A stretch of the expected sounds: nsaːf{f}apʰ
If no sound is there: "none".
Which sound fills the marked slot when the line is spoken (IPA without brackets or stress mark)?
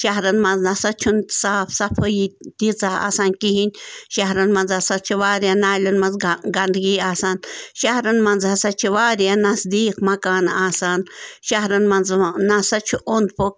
s